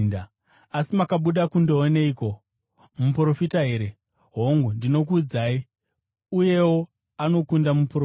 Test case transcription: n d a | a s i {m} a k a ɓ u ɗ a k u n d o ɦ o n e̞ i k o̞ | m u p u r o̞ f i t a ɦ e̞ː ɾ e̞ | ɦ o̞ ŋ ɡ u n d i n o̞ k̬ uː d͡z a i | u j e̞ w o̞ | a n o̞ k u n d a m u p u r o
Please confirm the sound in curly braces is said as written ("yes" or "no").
yes